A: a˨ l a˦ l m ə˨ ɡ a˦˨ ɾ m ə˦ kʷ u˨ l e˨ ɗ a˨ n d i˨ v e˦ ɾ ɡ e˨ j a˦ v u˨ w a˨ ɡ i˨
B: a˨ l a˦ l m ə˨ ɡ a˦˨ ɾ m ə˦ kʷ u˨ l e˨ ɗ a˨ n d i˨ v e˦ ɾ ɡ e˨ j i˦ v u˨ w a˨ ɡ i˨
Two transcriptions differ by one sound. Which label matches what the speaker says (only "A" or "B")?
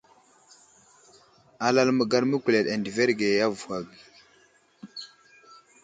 A